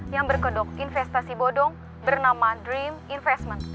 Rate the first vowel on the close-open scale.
open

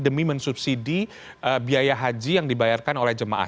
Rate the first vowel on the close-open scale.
mid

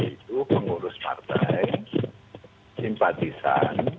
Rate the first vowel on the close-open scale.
close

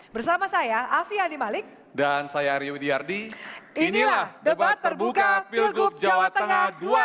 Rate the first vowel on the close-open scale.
mid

